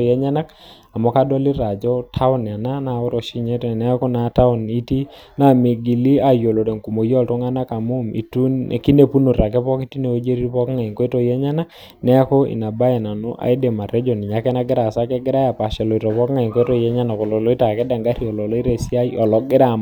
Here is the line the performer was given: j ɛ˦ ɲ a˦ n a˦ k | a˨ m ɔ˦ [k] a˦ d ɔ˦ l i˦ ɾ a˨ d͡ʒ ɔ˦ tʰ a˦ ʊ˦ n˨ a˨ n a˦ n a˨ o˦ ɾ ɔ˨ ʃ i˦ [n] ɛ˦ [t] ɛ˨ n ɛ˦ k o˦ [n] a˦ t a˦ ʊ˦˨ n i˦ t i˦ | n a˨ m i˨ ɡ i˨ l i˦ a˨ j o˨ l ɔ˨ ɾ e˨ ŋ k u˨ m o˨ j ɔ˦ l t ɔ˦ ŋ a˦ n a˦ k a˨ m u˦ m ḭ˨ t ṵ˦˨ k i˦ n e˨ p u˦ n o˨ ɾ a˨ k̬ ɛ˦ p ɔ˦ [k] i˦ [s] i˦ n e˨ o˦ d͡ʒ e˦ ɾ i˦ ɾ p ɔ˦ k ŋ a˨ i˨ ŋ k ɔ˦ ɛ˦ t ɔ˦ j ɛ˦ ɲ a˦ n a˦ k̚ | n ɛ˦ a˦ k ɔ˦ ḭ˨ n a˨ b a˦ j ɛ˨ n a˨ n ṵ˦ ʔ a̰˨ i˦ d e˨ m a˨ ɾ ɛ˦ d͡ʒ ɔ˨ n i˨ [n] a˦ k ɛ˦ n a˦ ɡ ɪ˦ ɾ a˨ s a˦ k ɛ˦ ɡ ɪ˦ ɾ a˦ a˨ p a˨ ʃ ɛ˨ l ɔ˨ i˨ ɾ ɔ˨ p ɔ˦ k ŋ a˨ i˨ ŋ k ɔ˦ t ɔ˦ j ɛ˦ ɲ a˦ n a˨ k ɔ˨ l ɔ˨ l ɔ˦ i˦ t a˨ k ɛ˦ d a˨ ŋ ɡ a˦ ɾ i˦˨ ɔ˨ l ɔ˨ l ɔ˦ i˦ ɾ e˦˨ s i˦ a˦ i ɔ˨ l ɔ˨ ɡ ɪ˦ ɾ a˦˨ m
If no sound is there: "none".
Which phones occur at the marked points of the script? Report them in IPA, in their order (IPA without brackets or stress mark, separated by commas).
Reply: k, ɲ, t, n, k, t, ɲ